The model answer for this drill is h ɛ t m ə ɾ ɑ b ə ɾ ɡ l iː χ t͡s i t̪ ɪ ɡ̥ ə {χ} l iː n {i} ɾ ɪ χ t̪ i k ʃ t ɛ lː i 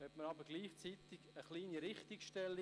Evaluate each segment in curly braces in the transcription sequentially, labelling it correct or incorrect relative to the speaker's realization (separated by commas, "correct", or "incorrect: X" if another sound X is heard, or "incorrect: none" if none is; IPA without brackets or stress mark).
correct, correct